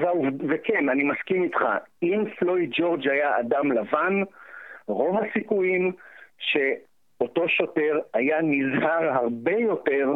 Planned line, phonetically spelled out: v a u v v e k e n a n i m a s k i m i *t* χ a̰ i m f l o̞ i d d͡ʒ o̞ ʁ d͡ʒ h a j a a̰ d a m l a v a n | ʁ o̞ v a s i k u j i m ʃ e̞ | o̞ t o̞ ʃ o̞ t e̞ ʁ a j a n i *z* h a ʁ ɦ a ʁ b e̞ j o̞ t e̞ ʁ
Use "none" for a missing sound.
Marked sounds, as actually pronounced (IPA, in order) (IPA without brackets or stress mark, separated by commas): t, z